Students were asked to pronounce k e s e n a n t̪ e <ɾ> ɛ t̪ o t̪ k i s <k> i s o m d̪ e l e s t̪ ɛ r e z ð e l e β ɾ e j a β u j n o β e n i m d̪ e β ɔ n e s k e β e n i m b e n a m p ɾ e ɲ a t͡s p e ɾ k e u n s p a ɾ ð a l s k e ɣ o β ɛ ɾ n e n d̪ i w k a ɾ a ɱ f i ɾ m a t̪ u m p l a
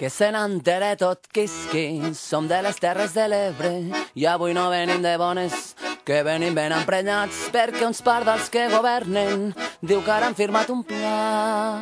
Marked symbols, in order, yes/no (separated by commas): yes, yes